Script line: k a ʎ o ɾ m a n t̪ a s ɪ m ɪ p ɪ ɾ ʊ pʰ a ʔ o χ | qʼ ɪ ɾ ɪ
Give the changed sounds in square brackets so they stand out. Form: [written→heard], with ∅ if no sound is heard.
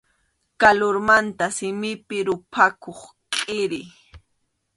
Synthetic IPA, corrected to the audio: k a [ʎ→l] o ɾ m a n t̪ a s ɪ m ɪ p ɪ ɾ ʊ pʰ a [ʔ→k] o χ | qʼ ɪ ɾ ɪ